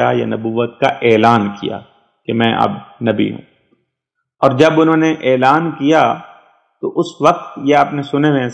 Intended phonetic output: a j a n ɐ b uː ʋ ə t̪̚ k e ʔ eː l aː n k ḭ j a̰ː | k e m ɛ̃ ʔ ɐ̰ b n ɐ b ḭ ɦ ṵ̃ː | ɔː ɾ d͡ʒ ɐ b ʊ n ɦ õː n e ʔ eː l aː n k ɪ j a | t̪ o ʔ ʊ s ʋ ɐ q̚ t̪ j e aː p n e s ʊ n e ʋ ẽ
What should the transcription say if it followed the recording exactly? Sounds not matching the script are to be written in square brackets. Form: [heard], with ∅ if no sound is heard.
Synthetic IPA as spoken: a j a n ɐ b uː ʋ ə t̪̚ k [a] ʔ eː l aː n k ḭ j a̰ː | k e m ɛ̃ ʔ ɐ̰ b n ɐ b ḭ ɦ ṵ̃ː | ɔː ɾ d͡ʒ ɐ b ʊ n ɦ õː n e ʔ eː l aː n k [i] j a | t̪ o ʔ ʊ s ʋ ɐ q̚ t̪ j e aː p n e s ʊ n e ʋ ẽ